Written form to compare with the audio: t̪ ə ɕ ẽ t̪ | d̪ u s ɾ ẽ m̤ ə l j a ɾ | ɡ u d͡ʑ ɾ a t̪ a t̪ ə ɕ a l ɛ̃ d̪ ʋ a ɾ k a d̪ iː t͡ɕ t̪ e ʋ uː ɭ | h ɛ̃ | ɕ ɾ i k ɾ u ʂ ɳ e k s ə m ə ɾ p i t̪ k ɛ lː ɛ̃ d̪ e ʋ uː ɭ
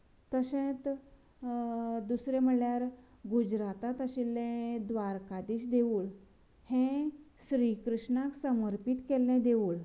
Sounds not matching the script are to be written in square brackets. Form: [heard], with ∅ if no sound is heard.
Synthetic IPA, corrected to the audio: t̪ ə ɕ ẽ t̪ | d̪ u s ɾ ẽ m̤ ə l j a ɾ | ɡ u d͡ʑ ɾ a t̪ a t̪ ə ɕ [i] l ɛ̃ d̪ ʋ a ɾ k a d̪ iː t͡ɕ [d̪] e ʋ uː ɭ | h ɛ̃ | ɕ ɾ i k ɾ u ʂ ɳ [a] k s ə m ə ɾ p i t̪ k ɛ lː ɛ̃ d̪ e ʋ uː ɭ